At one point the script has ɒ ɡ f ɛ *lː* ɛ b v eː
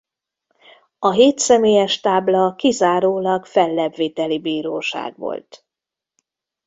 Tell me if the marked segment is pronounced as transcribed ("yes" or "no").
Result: yes